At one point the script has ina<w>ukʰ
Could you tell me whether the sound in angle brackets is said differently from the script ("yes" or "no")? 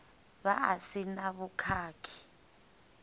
yes